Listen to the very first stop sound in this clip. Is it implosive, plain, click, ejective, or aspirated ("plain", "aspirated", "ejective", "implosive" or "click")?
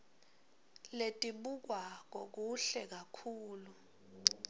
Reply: ejective